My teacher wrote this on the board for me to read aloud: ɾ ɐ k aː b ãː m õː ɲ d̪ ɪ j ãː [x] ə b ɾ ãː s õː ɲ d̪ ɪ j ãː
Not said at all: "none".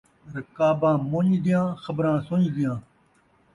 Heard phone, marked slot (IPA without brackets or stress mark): x